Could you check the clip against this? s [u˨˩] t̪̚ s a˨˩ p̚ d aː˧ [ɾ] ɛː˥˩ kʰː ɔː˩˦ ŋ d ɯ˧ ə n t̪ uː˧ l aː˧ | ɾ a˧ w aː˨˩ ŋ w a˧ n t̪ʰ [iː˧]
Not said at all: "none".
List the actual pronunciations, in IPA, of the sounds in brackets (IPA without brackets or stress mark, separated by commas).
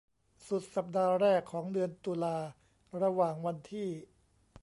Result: u˨˩, ɾ, iː˥˩